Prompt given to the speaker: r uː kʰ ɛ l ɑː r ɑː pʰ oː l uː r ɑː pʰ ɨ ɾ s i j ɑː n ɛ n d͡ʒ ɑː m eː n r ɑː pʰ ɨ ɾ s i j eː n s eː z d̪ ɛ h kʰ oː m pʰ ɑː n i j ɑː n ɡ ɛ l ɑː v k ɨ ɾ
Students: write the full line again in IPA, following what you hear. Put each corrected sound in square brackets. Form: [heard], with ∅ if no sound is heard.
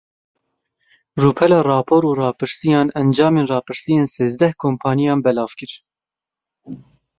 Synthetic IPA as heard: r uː [pʰ] ɛ l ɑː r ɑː pʰ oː [ɾ] uː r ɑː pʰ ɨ ɾ s i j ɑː n ɛ n d͡ʒ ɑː m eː n r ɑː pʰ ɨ ɾ s i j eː n s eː z d̪ ɛ h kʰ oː m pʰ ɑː n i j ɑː n [b] ɛ l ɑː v k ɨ ɾ

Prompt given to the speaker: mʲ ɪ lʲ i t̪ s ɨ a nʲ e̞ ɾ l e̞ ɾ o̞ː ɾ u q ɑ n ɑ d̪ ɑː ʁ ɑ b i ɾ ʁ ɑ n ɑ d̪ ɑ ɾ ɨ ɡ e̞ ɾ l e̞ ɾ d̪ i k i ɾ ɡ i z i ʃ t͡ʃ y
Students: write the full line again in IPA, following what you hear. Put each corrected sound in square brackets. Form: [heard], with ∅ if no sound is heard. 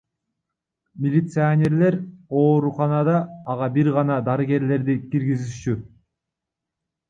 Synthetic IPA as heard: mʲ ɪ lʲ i t̪ s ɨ a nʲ e̞ ɾ l e̞ ɾ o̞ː ɾ u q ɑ n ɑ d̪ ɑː ʁ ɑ b i ɾ ʁ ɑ n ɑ d̪ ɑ ɾ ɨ ɡ e̞ ɾ l e̞ ɾ d̪ i k i ɾ ɡ i z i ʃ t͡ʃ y

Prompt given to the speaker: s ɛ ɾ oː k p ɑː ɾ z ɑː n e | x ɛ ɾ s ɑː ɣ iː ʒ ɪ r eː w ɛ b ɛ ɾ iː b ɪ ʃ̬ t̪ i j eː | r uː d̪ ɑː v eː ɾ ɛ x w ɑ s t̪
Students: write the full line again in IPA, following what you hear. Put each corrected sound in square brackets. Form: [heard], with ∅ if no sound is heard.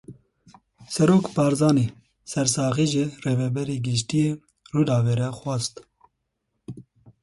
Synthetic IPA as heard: s ɛ ɾ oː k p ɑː ɾ z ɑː n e | [s] ɛ ɾ s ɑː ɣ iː ʒ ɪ r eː [v] ɛ b ɛ ɾ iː [ɡ] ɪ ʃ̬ t̪ i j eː | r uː d̪ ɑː v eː ɾ ɛ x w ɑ s t̪

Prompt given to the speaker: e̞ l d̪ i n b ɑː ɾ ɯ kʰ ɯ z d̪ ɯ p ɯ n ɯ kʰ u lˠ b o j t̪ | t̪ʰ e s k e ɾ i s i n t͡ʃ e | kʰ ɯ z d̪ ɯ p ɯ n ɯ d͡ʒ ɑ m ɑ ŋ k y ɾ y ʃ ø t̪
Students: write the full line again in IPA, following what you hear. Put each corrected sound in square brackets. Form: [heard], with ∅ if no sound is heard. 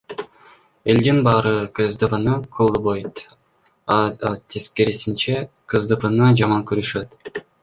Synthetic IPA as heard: e̞ l d̪ i n b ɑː ɾ ɯ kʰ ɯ z d̪ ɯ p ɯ n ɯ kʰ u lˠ b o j t̪ | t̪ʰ e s k e ɾ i s i n t͡ʃ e | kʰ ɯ z d̪ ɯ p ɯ n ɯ d͡ʒ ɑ m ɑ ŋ k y ɾ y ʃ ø t̪

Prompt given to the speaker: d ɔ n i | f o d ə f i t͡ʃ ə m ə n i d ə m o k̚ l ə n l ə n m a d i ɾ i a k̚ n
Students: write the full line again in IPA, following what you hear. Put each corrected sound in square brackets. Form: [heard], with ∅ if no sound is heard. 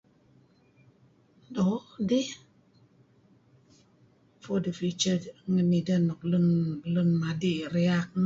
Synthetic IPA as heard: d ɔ [d] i | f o d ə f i t͡ʃ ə [ŋ] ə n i d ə [n] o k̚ l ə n l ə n m a d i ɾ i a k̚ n

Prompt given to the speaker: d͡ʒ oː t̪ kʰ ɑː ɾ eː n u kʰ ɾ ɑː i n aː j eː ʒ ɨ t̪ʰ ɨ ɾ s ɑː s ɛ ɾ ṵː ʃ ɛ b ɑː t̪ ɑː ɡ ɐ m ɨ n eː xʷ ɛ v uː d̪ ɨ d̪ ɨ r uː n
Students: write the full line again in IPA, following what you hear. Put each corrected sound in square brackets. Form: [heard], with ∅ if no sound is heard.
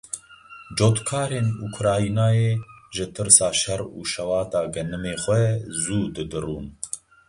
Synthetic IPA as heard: d͡ʒ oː t̪ kʰ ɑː ɾ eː n u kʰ ɾ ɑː i n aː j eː ʒ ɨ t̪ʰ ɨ ɾ s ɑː [ʃ] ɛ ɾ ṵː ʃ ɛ [w] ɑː t̪ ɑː ɡ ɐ [n] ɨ [m] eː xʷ ɛ [z] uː d̪ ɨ d̪ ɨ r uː n

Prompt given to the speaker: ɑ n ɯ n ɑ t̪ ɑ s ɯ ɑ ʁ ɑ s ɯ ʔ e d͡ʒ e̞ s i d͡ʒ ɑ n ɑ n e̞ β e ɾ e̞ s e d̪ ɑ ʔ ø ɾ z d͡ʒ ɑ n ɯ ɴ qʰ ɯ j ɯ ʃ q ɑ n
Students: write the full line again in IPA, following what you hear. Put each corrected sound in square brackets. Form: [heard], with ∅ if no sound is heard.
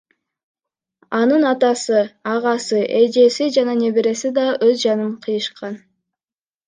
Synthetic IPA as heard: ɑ n ɯ n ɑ t̪ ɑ s ɯ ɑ ʁ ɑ s ɯ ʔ e d͡ʒ e̞ s i d͡ʒ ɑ n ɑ n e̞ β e ɾ e̞ s [i] d̪ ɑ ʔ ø [∅] z d͡ʒ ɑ n ɯ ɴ qʰ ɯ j ɯ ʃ q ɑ n

